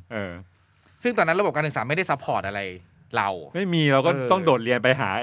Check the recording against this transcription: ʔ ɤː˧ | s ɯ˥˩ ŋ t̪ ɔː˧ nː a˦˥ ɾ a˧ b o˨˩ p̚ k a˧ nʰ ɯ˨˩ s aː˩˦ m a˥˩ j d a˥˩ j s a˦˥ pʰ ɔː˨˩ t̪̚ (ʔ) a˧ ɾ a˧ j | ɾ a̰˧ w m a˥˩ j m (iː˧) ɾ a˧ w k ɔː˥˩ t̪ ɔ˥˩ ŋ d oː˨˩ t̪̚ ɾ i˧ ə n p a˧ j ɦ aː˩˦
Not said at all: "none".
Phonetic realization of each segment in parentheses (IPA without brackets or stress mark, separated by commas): ʔ, iː˧